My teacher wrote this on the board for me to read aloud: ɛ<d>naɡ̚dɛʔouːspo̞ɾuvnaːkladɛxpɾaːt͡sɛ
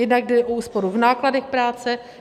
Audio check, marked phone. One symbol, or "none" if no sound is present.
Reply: d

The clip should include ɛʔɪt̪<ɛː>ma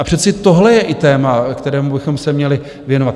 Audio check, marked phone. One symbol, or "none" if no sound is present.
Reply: ɛː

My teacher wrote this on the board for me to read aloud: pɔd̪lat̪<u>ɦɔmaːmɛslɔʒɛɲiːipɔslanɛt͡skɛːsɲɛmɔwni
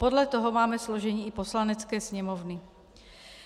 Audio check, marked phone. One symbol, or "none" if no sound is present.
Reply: ɔ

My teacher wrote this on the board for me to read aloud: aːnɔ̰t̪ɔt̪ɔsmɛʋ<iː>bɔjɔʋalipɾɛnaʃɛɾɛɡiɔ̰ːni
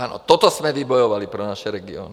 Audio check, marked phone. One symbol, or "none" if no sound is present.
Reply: i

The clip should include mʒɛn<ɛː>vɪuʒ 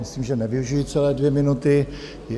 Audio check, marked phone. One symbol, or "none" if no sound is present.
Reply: ɛ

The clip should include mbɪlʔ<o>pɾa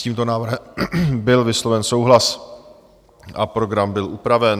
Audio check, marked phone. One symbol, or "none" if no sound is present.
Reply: u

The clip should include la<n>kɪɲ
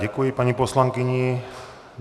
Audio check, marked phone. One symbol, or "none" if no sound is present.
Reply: ŋ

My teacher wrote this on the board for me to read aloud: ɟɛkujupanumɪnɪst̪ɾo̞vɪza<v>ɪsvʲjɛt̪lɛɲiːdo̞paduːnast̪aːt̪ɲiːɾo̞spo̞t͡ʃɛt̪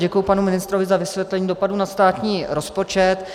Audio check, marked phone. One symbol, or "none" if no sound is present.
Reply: v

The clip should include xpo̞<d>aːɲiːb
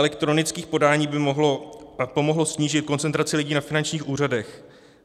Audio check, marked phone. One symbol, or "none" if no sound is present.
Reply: d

